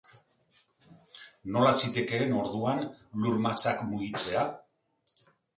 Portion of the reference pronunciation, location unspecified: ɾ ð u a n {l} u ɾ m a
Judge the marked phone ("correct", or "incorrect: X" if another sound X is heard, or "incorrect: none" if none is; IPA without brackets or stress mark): correct